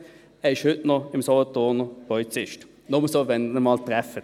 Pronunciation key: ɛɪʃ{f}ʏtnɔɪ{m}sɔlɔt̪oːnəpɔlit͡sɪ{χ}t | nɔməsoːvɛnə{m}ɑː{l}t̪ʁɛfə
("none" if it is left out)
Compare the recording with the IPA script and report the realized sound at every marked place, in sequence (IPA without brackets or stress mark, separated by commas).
h, m, ʃ, m, l